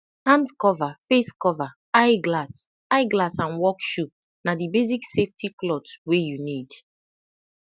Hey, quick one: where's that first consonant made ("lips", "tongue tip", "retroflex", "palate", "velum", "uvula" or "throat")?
throat